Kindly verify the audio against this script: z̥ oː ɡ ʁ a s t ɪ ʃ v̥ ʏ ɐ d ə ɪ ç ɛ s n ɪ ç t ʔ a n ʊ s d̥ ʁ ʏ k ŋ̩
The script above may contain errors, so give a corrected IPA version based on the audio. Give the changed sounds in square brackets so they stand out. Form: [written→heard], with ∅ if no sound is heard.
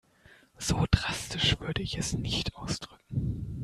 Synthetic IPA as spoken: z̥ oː [ɡ→d] ʁ a s t ɪ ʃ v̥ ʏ ɐ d ə ɪ ç ɛ s n ɪ ç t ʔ a [n→∅] ʊ s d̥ ʁ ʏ k ŋ̩